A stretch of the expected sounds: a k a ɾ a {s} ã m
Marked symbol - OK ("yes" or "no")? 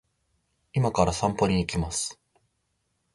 yes